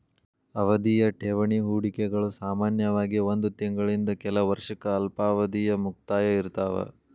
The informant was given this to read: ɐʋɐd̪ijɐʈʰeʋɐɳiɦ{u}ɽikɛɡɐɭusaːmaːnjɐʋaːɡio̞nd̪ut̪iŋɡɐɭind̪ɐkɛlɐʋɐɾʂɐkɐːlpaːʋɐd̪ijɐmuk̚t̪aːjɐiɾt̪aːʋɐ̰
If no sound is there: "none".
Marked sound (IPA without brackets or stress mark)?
uː